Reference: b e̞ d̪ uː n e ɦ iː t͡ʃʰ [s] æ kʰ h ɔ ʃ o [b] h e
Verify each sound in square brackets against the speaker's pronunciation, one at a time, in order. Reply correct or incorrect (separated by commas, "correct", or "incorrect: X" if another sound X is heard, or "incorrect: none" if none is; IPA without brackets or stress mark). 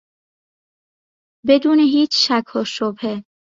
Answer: incorrect: ʃ, correct